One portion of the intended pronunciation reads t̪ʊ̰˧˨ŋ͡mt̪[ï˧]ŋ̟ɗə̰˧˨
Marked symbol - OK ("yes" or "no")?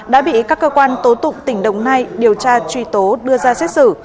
no